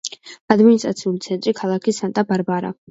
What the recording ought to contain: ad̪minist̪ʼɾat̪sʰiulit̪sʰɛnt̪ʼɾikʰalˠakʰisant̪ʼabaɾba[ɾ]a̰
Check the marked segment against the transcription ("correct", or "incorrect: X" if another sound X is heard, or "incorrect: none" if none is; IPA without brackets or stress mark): correct